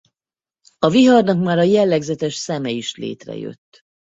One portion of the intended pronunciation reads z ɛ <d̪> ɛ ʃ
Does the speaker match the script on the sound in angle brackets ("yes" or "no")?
no